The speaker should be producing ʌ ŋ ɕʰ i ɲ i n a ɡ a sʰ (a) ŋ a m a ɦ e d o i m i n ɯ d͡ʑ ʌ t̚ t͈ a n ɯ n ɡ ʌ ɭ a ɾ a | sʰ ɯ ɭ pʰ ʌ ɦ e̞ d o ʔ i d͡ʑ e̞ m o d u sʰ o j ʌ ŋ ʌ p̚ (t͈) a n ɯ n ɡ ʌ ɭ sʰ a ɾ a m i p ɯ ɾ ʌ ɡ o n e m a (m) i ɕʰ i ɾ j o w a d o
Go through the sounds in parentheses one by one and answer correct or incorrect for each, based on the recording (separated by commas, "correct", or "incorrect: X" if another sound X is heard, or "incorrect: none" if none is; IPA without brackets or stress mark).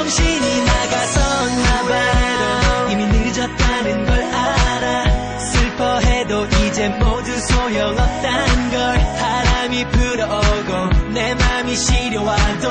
incorrect: ʌ, correct, correct